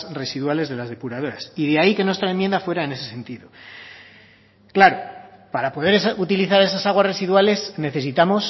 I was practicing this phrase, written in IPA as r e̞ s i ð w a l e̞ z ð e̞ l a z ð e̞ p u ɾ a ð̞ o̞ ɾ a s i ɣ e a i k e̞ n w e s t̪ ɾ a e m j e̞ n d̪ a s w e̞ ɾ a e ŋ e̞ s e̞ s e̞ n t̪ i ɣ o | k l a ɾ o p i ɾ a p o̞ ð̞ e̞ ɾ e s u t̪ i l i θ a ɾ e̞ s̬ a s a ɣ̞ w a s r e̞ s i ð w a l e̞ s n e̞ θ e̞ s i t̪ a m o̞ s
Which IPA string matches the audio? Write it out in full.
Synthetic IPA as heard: r e̞ s i ð w a l e̞ z ð e̞ l a z ð e̞ p u ɾ a ð̞ o̞ ɾ a s i ð e a i k e̞ n w e s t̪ ɾ a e m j e̞ n d̪ a f w e̞ ɾ a e n e̞ s e̞ s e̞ n t̪ i ð o | k l a ɾ o p a ɾ a p o̞ ð̞ e̞ ɾ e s u t̪ i l i θ a ɾ e̞ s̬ a s a ɣ̞ w a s r e̞ s i ð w a l e̞ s n e̞ θ e̞ s i t̪ a m o̞ s